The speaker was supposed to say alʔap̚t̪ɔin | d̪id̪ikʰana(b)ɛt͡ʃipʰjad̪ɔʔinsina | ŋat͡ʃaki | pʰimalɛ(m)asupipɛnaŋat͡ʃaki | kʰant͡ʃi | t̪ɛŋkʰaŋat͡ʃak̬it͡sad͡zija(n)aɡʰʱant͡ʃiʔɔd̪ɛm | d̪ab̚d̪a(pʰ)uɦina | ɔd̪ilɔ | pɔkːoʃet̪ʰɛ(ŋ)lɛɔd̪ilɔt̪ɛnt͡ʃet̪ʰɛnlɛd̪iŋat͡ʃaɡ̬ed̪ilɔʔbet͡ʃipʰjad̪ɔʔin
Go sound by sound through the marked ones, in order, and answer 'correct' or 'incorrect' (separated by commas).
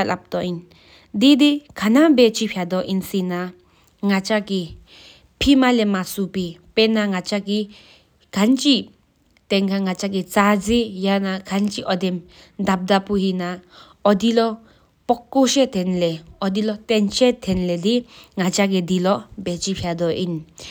correct, correct, correct, incorrect, incorrect